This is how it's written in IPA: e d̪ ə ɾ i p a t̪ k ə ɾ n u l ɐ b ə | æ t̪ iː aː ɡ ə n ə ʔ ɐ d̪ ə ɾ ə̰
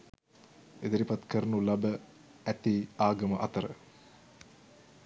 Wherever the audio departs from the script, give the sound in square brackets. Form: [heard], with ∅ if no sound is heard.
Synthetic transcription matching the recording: e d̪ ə ɾ i p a t̪ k ə ɾ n u l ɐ b ə | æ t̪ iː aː ɡ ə [m] ə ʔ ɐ [t̪] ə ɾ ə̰